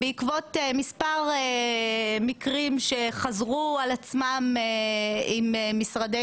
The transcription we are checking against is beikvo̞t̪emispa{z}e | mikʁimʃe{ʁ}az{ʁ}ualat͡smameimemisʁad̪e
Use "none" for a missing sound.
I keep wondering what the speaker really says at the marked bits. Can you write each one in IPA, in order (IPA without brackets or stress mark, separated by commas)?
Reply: ʁ, χ, ʁ